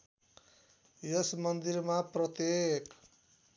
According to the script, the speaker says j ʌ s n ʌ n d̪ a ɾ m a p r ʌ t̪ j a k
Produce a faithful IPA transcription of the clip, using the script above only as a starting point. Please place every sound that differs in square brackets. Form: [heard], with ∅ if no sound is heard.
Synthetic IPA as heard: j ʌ s [m] ʌ n d̪ [i] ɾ m a p r ʌ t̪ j [e] k